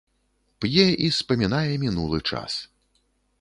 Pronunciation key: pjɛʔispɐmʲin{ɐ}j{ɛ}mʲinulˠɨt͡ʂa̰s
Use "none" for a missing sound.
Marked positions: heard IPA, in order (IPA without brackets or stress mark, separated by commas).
a, ɛ